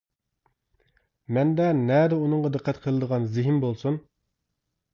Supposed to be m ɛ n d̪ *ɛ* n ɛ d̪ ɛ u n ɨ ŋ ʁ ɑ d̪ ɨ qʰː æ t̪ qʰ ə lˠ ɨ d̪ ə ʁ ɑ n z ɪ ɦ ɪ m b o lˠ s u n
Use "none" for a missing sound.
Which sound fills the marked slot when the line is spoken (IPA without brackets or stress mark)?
ɛ